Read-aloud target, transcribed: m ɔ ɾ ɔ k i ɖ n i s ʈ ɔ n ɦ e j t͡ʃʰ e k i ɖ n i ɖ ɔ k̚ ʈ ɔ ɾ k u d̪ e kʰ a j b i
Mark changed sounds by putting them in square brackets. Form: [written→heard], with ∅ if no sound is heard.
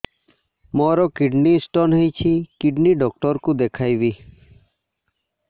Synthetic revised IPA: m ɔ ɾ ɔ k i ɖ n i s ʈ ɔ n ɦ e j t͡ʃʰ [e→i] k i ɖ n i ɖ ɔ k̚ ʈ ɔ ɾ k u d̪ e kʰ a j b i